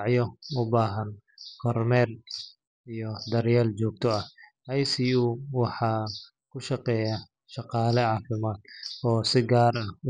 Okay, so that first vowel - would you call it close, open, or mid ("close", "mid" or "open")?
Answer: mid